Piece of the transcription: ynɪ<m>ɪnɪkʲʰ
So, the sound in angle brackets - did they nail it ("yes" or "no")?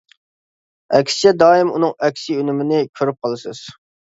yes